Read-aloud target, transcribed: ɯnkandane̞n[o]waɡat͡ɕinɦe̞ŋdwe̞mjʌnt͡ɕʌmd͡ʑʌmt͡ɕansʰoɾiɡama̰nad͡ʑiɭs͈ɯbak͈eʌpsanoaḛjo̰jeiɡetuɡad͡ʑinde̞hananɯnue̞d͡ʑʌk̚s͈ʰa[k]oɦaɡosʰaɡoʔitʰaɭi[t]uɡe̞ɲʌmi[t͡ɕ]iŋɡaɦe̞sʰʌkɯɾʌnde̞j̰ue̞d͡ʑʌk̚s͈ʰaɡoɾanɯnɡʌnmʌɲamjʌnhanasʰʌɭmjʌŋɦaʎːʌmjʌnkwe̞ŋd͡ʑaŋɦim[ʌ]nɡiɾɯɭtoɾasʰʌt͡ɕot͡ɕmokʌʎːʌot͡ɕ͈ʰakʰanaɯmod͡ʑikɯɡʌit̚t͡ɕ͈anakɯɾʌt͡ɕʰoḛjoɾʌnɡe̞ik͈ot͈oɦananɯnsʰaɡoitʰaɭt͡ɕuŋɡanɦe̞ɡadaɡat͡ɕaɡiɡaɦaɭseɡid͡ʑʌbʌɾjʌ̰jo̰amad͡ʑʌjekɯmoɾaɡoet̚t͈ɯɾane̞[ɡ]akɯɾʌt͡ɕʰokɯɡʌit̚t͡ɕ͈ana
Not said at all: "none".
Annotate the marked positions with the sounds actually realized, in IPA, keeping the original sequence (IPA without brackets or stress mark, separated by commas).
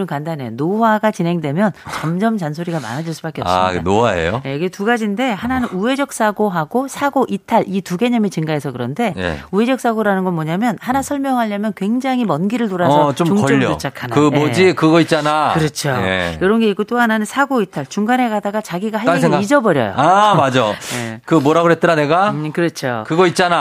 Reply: o, ɡ, t, t͡ɕ, ʌ, ɡ